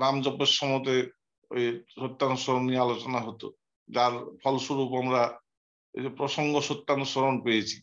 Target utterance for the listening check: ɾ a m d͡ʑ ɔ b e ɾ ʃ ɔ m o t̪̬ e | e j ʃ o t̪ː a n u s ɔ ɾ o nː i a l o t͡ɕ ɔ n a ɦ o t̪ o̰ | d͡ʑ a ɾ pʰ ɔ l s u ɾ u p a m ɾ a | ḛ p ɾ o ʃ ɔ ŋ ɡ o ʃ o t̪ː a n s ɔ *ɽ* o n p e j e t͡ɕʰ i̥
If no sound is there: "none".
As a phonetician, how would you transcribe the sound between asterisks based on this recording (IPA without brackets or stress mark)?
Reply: ɾ